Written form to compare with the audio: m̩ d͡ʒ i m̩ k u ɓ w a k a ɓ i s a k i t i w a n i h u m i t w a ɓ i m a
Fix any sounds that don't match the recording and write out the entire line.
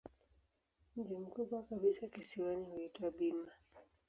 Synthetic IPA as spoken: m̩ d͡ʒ i m̩ k u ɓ w a k a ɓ i s a k i s i w a n i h u i t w a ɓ i m a